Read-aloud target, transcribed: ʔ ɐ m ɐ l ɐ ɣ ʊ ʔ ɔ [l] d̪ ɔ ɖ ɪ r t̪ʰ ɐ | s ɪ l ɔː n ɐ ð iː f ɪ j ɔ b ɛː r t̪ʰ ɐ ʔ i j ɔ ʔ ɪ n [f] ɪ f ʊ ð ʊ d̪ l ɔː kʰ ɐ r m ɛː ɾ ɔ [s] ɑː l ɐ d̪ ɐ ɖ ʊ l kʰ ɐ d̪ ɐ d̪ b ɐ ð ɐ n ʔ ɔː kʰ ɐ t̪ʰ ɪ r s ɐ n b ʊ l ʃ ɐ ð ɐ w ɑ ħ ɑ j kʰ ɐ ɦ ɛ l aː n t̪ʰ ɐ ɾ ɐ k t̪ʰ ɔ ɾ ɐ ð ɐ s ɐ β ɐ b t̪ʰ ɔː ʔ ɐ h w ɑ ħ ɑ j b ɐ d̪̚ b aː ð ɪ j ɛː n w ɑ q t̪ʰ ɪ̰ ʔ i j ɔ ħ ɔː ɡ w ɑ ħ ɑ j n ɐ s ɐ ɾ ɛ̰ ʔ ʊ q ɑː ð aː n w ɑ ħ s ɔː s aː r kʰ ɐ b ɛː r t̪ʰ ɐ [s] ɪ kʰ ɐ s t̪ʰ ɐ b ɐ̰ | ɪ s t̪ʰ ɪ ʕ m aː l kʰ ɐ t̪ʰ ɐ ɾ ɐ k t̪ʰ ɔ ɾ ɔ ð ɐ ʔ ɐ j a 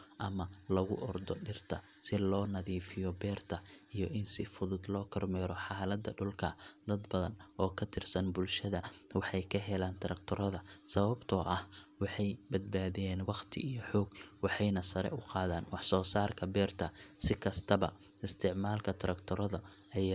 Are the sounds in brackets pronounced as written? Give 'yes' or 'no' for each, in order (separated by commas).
no, no, no, yes